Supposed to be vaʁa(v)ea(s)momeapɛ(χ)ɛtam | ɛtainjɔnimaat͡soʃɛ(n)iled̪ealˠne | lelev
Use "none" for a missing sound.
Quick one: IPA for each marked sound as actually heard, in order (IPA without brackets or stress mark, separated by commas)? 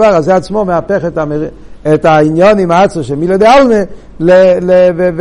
z, t͡s, χ, m